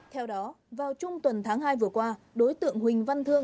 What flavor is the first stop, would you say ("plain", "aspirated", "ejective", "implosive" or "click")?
aspirated